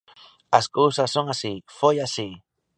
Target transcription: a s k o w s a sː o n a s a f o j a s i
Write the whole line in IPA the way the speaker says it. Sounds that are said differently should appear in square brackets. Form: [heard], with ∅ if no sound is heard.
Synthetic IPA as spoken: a s k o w s a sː o [ŋ] a s [i] f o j a s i